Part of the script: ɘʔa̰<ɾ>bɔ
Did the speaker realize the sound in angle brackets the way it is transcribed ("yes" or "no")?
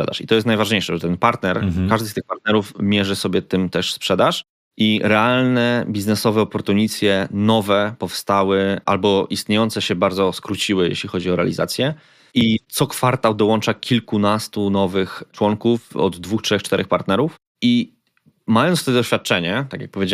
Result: no